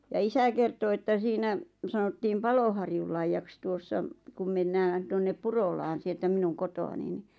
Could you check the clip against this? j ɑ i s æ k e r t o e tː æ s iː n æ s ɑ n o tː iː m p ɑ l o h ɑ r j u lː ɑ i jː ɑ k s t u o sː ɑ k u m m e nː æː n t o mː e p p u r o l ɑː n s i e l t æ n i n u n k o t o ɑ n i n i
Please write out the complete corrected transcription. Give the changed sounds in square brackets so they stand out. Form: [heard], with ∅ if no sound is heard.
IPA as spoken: j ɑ i s æ k e r t o e tː æ s iː n æ s ɑ n o tː iː m p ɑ l o h ɑ r j u lː ɑ i jː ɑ k s t u o sː ɑ k u m m e nː æː n t o [nː] e p p u r o l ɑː n s i e l t æ [m] i n u n k o t o ɑ n i n i

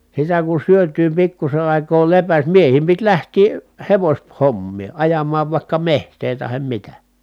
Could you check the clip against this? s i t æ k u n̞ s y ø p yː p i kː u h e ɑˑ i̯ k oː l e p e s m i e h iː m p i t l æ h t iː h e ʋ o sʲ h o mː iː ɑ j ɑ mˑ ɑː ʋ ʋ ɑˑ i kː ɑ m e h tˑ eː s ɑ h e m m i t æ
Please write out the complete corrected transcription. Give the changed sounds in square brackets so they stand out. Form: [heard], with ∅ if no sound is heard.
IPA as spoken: s i t æ k u n̞ s y ø [t] yː p i kː u [s] e ɑˑ i̯ k oː l e p [æ] s m i e h iː m p i t l æ h t iː h e ʋ o sʲ h o mː iː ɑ j ɑ mˑ ɑː ʋ ʋ ɑˑ i kː ɑ m e h tˑ eː [t] ɑ h e m m i t æ

